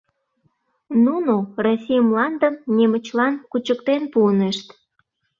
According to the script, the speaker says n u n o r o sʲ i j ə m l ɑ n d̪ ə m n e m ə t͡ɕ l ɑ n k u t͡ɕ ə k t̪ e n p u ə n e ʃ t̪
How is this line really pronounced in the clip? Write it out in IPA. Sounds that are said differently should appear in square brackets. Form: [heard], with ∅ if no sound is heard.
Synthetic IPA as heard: n u n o r o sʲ i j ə m l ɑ n d̪ ə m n e m ə t͡ɕ l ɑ n k u t͡ɕ ə k t̪ e n p u ə n e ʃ t̪